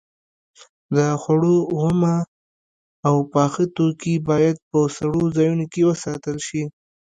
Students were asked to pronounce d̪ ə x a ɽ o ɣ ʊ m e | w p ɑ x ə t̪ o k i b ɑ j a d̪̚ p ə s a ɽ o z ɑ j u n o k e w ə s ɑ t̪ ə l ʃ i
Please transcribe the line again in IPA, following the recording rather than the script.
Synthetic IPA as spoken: d̪ ə x a ɽ o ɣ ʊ m a | w p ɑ x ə t̪ o k i b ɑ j a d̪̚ p ə s a ɽ o z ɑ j u n o k e w ə s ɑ t̪ ə l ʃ i